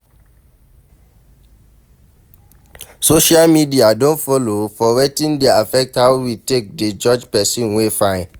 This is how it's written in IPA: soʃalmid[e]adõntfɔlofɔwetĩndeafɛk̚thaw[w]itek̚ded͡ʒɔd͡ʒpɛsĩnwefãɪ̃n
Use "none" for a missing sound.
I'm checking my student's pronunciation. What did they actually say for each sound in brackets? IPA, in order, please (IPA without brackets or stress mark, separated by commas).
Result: i, w